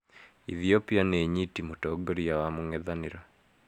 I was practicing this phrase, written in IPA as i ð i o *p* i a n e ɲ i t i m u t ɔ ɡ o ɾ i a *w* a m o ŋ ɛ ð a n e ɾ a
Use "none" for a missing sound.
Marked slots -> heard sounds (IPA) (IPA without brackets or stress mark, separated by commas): p, w